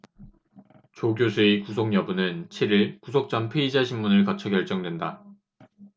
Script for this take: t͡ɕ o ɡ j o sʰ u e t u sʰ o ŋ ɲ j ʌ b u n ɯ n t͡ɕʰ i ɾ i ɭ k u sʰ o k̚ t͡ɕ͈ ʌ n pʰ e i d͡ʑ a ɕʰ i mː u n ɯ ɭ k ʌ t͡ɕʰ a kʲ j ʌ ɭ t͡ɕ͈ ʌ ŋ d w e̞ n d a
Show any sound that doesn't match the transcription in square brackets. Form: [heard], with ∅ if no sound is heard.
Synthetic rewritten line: t͡ɕ o ɡ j o sʰ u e [k] u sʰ o ŋ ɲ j ʌ b u n ɯ n t͡ɕʰ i ɾ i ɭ k u sʰ o k̚ t͡ɕ͈ ʌ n pʰ e i d͡ʑ a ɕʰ i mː u n ɯ ɭ k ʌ t͡ɕʰ [ʌ] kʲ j ʌ ɭ t͡ɕ͈ ʌ ŋ d w e̞ n d a